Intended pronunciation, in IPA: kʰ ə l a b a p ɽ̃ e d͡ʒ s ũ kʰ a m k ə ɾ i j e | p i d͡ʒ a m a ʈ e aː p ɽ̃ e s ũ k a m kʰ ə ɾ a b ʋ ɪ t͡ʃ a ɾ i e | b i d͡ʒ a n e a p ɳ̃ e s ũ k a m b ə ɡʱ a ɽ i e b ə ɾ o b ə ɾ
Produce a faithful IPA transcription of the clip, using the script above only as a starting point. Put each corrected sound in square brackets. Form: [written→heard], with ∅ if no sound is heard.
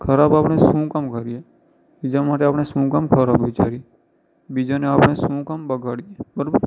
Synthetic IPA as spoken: kʰ ə [l→ɾ] a b a p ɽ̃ e [d͡ʒ→∅] s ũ [kʰ→k] a m k ə ɾ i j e | [p→b] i d͡ʒ a m a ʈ e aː p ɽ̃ e s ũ k a m kʰ ə ɾ a b ʋ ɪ t͡ʃ a ɾ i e | b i d͡ʒ a n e a p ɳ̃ e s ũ k a m b ə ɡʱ a ɽ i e b ə ɾ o b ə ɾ